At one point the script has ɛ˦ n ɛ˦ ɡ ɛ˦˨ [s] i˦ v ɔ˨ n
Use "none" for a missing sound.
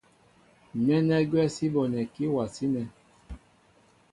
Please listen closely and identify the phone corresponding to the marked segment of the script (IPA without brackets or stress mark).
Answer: s